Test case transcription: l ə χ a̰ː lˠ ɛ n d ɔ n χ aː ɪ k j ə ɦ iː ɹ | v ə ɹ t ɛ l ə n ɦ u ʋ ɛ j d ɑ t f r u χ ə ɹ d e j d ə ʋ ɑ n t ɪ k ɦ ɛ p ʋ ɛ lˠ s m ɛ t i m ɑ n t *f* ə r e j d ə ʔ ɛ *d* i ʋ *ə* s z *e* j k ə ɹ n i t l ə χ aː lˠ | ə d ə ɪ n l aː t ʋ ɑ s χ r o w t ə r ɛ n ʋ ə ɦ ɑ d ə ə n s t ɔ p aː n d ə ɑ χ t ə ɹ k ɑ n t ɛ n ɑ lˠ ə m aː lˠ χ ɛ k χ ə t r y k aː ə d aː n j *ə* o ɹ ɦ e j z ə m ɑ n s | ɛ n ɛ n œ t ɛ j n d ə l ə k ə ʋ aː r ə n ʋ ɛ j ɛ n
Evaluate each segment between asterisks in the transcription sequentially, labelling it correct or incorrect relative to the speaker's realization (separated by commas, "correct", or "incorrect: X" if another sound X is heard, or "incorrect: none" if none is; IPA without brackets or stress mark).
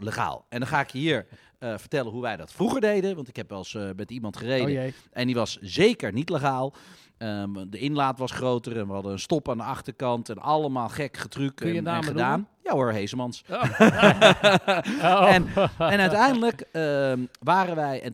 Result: incorrect: χ, incorrect: n, incorrect: ɑ, correct, incorrect: a